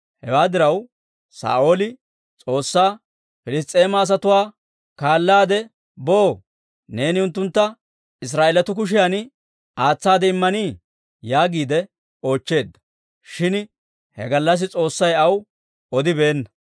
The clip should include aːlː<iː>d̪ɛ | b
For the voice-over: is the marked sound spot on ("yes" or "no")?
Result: no